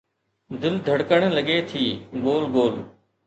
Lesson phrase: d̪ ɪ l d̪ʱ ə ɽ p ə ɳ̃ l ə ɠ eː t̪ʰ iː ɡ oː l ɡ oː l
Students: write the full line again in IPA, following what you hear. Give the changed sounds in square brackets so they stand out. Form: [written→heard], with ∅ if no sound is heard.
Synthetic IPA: d̪ ɪ l d̪ʱ ə ɽ [p→k] ə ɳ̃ l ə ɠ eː t̪ʰ iː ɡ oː l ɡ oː l